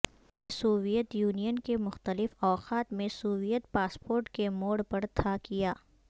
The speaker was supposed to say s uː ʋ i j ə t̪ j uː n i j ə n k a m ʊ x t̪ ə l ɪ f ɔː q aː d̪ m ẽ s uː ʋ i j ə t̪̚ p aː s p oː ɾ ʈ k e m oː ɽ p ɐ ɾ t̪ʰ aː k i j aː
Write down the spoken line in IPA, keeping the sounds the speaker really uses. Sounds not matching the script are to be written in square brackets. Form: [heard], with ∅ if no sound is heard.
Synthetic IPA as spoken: s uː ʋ i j ə t̪ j uː n i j ə n k [e] m ʊ x t̪ ə l ɪ f ɔː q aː [t̪] m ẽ s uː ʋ i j ə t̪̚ p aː s p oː ɾ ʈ k e m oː ɽ p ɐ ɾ t̪ʰ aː k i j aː